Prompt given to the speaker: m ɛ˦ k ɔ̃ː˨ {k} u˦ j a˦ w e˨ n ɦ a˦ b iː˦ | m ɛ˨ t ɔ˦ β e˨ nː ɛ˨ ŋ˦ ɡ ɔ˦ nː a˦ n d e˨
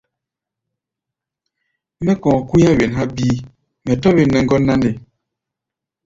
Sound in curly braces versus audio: correct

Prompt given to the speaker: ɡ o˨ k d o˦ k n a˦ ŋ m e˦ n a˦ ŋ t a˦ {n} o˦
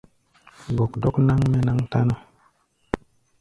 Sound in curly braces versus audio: correct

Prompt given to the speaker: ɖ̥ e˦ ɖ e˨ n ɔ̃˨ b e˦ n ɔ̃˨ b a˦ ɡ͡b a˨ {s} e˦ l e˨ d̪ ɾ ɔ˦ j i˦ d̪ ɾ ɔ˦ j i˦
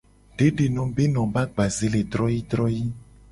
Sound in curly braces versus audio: incorrect: z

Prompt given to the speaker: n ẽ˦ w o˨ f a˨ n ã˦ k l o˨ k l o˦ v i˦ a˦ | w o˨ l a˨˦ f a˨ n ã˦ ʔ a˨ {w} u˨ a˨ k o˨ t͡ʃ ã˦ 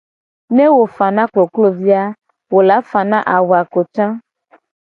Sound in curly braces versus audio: correct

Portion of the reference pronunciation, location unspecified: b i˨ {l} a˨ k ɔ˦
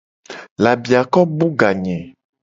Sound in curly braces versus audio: incorrect: none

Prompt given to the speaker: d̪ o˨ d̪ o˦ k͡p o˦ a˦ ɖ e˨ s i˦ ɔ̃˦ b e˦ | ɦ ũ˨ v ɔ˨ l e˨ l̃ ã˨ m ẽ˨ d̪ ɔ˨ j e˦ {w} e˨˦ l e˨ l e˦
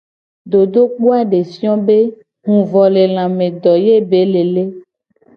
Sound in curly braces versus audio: incorrect: b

